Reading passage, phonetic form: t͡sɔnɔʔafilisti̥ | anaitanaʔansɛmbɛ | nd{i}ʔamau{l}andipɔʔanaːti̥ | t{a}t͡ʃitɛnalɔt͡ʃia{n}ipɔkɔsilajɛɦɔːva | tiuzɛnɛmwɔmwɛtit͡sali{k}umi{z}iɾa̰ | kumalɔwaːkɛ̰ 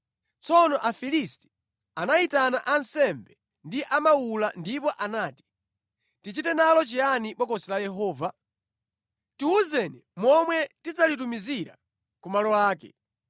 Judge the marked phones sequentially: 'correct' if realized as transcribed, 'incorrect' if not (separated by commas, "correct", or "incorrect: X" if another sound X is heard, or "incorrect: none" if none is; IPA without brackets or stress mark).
correct, correct, incorrect: i, correct, incorrect: t, correct